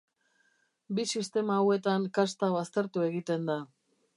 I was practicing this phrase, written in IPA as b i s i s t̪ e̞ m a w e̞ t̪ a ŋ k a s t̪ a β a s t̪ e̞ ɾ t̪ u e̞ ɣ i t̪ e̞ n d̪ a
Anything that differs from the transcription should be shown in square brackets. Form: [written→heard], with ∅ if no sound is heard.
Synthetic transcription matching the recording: b i s i s t̪ e̞ m a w e̞ t̪ a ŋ k a s t̪ a β a s t̪ e̞ ɾ t̪ u e̞ ɣ i t̪ e̞ n d̪ a